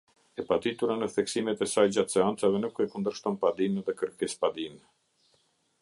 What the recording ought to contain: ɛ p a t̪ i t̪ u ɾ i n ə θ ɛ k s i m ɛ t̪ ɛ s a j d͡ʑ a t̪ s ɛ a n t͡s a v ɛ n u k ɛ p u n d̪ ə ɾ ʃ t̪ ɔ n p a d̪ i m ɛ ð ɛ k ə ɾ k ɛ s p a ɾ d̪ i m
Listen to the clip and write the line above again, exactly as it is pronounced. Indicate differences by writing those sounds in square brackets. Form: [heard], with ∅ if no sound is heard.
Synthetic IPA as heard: ɛ p a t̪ i t̪ u ɾ [a] n ə θ ɛ k s i m ɛ t̪ ɛ s a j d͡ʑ a t̪ s ɛ a n t͡s a v ɛ n u k ɛ [k] u n d̪ ə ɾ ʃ t̪ ɔ n p a d̪ i m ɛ ð ɛ k ə ɾ k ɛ s p a [∅] d̪ i m

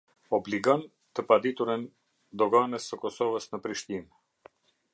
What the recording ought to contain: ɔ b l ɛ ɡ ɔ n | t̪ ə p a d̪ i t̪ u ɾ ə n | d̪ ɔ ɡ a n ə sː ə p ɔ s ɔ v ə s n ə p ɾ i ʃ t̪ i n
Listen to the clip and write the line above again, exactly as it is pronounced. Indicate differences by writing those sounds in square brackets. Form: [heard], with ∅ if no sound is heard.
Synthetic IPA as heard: ɔ b l [i] ɡ ɔ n | t̪ ə p a d̪ i t̪ u ɾ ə n | d̪ ɔ ɡ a n ə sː ə [k] ɔ s ɔ v ə s n ə p ɾ i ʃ t̪ i n

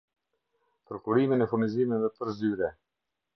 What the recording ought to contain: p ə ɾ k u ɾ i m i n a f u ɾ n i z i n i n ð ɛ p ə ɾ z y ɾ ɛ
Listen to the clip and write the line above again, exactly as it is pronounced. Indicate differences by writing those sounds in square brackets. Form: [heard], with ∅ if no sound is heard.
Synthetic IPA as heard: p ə ɾ k u ɾ i m i n [ɛ] f u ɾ n i z i [m] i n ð ɛ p ə ɾ z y ɾ ɛ

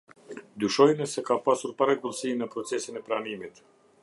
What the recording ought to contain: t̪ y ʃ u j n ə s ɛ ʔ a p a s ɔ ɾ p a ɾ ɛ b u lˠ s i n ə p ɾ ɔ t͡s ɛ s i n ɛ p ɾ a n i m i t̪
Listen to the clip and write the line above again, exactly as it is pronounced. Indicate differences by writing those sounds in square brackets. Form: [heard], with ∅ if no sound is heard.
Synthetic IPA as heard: [d̪] y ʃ [ɔ] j n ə s ɛ [k] a p a s [u] ɾ p a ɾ ɛ [ɡ] u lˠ s i n ə p ɾ ɔ t͡s ɛ s i n ɛ p ɾ a n i m i t̪

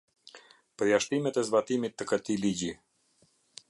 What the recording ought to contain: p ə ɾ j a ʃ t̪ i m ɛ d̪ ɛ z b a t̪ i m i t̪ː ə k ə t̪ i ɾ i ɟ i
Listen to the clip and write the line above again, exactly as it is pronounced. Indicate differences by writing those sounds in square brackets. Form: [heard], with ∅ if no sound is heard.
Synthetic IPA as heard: p ə ɾ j a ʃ t̪ i m ɛ [t̪] ɛ z b a t̪ i m i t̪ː ə k ə t̪ i [l] i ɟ i

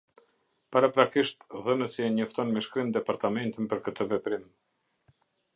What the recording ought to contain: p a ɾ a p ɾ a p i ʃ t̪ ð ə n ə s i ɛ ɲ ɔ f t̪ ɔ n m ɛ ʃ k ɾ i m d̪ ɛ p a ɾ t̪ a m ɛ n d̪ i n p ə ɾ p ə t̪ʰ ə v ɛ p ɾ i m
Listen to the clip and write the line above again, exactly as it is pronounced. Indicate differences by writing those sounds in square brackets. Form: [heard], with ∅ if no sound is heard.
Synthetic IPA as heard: p a ɾ a p ɾ a [k] i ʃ t̪ ð ə n ə s i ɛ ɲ ɔ f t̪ ɔ n m ɛ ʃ k ɾ i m d̪ ɛ p a ɾ t̪ a m ɛ n [t̪] i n p ə ɾ [k] ə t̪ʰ ə v ɛ p ɾ i m

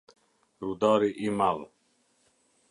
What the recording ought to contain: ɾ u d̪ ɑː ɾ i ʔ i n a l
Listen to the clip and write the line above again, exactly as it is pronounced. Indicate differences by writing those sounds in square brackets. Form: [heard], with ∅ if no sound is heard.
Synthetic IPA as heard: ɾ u d̪ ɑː ɾ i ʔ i [m] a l

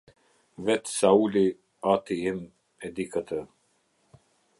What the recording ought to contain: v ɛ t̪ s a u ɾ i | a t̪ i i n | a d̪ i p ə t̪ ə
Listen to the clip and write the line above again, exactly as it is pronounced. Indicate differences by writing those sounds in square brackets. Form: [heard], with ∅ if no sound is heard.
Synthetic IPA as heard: v ɛ t̪ s a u [l] i | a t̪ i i [m] | [ɛ] d̪ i [k] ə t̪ ə

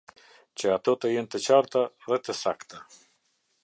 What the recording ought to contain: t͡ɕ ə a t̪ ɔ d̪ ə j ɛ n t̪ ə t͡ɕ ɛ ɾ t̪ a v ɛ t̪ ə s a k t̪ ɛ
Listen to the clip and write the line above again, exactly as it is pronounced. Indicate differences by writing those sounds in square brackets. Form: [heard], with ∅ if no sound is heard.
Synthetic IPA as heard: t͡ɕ ə a t̪ ɔ [t̪] ə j ɛ n t̪ ə t͡ɕ [a] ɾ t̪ a [ð] ɛ t̪ ə s a k t̪ [a]

